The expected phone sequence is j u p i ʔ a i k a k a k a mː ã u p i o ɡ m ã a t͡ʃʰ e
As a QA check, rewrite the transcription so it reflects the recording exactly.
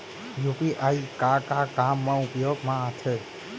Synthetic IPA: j u p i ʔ a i k a k a k a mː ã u p j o ɡ m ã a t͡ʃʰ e